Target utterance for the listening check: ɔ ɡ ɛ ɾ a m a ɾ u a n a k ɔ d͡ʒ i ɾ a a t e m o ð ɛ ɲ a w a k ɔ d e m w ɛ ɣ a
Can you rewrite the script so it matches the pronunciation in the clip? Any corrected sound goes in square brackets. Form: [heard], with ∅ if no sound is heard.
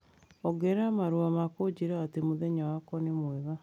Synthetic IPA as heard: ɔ ɡ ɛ ɾ a m a ɾ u a [m] a k [o] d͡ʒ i ɾ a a t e m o ð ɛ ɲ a w a k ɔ [n] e m w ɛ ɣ a

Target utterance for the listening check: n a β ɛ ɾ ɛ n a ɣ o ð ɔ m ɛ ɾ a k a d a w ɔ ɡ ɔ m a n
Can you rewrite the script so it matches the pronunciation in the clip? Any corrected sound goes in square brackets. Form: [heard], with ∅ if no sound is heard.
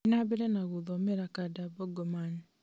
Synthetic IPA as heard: n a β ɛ ɾ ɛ n a ɣ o ð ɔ m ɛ ɾ a k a d a [b] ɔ ɡ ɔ m a n

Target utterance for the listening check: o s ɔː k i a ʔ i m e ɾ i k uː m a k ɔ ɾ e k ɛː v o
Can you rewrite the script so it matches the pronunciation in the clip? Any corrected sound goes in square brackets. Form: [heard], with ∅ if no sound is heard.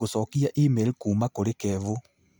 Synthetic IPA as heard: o s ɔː k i a ʔ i m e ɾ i k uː m a k [o] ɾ e k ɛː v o

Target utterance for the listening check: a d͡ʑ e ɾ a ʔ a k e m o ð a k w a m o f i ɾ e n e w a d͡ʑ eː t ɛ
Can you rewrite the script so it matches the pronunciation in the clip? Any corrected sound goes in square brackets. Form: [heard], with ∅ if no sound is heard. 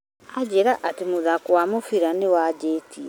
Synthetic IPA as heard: a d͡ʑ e ɾ a ʔ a [t] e m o ð a k w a m o f i ɾ [a] n e w a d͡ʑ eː t [i]

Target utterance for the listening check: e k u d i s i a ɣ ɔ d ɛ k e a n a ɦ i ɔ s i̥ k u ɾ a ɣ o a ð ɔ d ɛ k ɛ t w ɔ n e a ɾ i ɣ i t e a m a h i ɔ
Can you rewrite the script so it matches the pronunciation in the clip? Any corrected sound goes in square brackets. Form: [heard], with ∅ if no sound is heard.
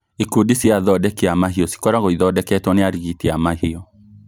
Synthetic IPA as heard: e k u d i s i a [ð] ɔ d ɛ k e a [m] a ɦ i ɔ s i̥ k [ɔ] ɾ a ɣ o [i] ð ɔ d ɛ k ɛ t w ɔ n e a ɾ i ɣ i t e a m a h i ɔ

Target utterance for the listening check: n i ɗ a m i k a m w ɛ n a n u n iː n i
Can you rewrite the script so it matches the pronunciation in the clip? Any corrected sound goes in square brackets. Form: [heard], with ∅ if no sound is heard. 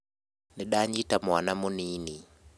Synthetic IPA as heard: n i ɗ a [ɲ] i [t] a m w [a] n a [m] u n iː n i

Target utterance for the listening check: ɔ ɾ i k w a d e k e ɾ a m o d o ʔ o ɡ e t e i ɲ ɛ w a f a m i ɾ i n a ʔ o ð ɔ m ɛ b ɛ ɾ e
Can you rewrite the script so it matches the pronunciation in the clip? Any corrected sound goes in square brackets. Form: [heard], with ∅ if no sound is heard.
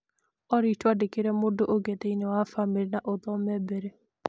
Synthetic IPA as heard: ɔ ɾ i [t] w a d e k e ɾ [ɛ] m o d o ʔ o ɡ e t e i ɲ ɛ w a f a m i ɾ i n a ʔ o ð ɔ m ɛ b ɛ ɾ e

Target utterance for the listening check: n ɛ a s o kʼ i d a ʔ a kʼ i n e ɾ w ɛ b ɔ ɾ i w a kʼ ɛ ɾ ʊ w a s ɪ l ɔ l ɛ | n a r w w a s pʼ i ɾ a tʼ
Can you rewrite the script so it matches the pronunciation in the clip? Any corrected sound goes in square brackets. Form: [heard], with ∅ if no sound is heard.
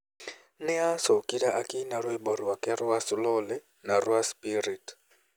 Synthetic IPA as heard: n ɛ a s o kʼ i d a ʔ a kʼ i n [a] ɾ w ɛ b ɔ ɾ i w a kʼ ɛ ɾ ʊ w a s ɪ l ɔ l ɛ | n a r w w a s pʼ i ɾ [i] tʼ

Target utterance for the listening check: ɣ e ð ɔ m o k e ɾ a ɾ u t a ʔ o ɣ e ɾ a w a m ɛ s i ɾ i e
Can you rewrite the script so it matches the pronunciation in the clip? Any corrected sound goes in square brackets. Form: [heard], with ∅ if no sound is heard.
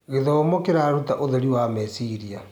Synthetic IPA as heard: ɣ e ð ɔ m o k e ɾ a ɾ u t a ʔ o [ð] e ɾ [i] w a m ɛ s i ɾ i [a]

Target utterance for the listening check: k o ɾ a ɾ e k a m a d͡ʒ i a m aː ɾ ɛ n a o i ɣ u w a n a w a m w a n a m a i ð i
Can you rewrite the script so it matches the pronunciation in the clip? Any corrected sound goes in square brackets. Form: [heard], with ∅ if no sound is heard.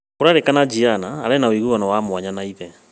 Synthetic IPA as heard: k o ɾ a ɾ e k a [n] a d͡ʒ i a [n] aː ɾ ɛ n a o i ɣ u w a n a w a m w a [ɲ] a [n] a i ð [ɛ]

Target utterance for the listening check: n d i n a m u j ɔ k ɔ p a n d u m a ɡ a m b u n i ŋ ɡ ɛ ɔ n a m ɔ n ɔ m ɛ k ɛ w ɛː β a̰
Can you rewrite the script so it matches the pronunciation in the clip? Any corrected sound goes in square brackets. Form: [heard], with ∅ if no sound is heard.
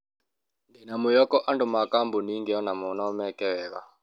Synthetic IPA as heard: n d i n a m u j ɔ k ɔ [ʔ] a n d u m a [k] a m b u n i ŋ ɡ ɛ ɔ n a m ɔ n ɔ m ɛ k ɛ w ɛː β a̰

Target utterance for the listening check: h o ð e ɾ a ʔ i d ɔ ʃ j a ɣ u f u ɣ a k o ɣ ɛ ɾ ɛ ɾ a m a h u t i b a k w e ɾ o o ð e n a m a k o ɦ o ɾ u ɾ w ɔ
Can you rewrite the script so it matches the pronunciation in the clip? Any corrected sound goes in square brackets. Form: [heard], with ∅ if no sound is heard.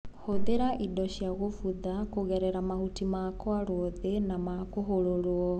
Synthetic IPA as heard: h o ð e ɾ a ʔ i d ɔ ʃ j a ɣ [o] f u [ð] a k o ɣ ɛ ɾ ɛ ɾ a m a h u t i [m] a k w [a] ɾ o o ð e n a m a k o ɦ o ɾ [o] ɾ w ɔ

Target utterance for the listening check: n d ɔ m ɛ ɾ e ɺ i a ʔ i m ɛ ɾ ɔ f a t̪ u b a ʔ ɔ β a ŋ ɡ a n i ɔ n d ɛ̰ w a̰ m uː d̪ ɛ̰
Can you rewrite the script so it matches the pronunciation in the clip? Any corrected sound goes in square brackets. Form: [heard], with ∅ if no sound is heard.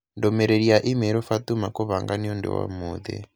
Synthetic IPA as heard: n d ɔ m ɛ ɾ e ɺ i a ʔ i m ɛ ɾ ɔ f a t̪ u [m] a [k] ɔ β a ŋ ɡ a n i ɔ n d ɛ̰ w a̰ m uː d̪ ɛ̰

